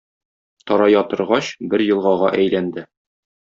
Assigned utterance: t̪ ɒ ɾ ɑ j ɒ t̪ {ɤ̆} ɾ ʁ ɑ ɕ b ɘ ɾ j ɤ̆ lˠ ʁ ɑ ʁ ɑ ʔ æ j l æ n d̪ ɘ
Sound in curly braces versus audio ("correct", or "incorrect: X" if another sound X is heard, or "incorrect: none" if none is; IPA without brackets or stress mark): correct